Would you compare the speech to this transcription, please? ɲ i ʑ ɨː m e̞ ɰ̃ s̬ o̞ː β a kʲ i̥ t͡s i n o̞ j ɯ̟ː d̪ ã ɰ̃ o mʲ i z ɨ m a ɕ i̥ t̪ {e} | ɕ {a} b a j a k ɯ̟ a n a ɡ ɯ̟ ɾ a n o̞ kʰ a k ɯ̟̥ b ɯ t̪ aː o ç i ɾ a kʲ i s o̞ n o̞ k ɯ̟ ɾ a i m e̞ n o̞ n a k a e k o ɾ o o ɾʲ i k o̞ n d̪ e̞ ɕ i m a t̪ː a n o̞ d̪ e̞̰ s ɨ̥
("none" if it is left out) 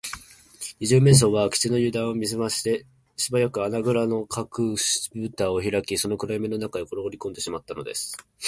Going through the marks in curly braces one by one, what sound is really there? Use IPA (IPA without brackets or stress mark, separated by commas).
e, i